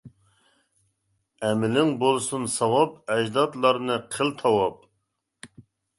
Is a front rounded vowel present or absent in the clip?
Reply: absent